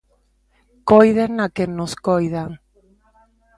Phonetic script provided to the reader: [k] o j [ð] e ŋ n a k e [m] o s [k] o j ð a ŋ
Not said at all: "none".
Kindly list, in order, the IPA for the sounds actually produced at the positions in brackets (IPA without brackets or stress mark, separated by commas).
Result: k, ð, n, k